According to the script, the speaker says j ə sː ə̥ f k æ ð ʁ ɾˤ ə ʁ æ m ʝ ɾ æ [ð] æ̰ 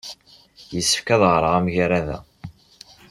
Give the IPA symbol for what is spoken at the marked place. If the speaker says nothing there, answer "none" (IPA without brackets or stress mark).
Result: ð